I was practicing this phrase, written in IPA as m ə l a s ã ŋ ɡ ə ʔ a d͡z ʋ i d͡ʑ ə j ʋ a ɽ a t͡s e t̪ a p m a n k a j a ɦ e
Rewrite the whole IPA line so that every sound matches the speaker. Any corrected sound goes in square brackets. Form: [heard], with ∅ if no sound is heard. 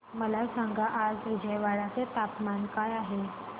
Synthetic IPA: m ə l a s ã ŋ ɡ [a] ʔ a d͡z ʋ i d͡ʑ ə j ʋ a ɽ a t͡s e t̪ a p m a n k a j a ɦ e